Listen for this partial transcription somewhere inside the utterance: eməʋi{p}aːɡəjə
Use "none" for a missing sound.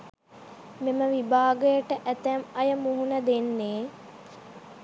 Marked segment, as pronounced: b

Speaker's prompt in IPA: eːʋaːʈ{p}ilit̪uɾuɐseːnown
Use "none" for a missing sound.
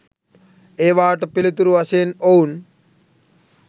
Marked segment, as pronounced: p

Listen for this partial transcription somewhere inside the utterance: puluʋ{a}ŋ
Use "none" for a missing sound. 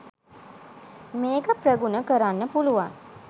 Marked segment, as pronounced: a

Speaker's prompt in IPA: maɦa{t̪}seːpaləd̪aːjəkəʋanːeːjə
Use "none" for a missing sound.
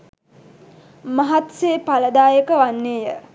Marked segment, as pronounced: t̪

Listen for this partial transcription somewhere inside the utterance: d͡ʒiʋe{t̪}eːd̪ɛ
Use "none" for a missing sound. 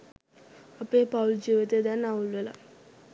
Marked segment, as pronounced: t̪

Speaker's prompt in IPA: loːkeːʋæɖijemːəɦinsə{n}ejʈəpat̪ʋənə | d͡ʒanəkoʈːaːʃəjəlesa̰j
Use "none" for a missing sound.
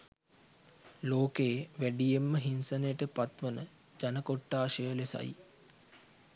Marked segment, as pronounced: n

